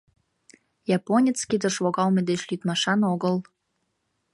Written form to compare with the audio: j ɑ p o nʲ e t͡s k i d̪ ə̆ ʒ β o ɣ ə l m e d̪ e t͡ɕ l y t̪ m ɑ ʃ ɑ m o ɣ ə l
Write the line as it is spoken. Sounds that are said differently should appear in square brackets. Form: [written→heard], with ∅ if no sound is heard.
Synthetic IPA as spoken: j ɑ p o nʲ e t͡s k i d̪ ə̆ [ʒ→ʃ] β o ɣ [ə→ɑ] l m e d̪ e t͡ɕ l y t̪ m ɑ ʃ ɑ [m→n] o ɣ ə l

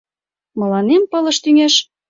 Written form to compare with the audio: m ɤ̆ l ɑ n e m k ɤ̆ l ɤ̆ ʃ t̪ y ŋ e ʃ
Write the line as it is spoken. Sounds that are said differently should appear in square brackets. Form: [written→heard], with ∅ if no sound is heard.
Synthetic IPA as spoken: m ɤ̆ l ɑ n e m [k→p] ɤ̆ l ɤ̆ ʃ t̪ y ŋ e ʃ

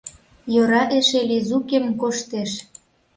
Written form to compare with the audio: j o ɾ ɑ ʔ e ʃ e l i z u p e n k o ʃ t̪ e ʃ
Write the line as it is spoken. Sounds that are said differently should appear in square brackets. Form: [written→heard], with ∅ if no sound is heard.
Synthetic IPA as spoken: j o ɾ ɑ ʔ e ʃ e l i z u [p→k] e [n→m] k o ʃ t̪ e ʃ

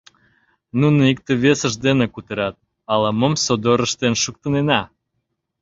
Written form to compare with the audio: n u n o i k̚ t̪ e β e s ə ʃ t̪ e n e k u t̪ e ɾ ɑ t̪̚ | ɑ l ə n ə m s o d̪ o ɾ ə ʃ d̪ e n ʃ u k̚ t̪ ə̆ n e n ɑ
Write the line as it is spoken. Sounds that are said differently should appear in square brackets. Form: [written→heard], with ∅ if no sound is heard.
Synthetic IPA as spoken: n u n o i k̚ t̪ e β e s ə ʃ [t̪→d̪] e n e k u t̪ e ɾ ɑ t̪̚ | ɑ l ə [n→m] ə m s o d̪ o ɾ ə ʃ [d̪→t̪] e n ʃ u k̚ t̪ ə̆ n e n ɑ

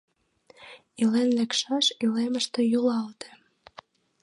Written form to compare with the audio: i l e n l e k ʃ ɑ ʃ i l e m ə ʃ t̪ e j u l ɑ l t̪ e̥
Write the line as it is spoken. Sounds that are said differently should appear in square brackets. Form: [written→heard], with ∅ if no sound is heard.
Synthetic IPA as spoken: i l e n l e k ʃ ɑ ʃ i l e m ə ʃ t̪ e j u l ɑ l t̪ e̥

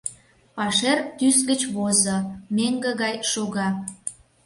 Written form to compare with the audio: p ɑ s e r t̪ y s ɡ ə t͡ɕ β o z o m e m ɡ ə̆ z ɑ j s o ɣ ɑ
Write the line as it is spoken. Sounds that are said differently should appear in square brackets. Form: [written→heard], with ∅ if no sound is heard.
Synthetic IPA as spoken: p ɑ [s→ʃ] e r t̪ y s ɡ ə t͡ɕ β o z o m e [m→ŋ] ɡ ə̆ [z→ɣ] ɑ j [s→ʃ] o ɣ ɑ

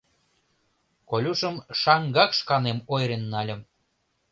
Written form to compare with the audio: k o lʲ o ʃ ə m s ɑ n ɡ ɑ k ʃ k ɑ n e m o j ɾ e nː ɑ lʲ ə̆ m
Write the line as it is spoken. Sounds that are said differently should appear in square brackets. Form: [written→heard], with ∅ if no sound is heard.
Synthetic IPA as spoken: k o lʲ [o→u] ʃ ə m [s→ʃ] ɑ [n→ŋ] ɡ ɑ k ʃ k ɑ n e m o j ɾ e nː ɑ lʲ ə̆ m

